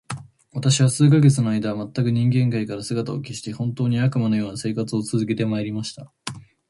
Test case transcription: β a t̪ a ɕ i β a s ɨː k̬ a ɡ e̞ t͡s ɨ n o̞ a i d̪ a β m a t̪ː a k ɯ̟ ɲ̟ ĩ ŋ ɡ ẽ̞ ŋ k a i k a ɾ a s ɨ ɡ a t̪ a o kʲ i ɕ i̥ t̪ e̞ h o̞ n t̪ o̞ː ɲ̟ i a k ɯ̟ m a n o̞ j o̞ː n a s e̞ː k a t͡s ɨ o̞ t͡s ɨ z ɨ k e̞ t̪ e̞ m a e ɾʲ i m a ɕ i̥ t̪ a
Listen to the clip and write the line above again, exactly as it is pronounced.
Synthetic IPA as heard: β a t̪ a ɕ i β a s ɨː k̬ a ɡ e̞ t͡s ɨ n o̞ a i d̪ a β m a t̪ː a k ɯ̟ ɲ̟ ĩ ŋ ɡ ẽ̞ ŋ k a i k a ɾ a s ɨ ɡ a t̪ a o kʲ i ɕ i̥ t̪ e̞ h õ̞ n t̪ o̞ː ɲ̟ i a k ɯ̟ m a n o̞ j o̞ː n a s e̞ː k a t͡s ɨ o̞ t͡s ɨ z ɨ k e̞ t̪ e̞ m a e ɾʲ i m a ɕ i̥ t̪ a